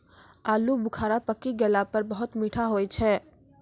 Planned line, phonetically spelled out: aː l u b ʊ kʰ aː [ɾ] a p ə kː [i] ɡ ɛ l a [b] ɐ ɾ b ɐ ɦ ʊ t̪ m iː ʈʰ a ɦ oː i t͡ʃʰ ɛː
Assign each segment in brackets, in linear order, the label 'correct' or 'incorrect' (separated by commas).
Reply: correct, correct, incorrect